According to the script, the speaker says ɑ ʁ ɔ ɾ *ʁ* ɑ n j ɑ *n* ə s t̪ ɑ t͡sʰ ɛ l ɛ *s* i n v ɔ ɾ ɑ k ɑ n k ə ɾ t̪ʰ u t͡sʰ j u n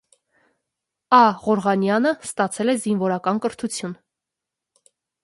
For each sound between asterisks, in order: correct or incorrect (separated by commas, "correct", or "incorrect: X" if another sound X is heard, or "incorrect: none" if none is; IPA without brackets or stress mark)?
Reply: correct, correct, incorrect: z